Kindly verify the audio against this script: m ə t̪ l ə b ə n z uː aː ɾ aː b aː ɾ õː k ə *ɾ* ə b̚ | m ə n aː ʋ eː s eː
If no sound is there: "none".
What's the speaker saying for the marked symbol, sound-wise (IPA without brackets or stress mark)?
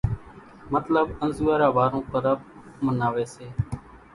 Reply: ɾ